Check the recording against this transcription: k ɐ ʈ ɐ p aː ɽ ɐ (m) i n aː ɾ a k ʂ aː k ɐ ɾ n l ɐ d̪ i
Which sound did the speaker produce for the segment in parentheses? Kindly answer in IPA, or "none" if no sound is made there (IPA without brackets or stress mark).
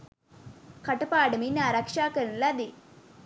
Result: m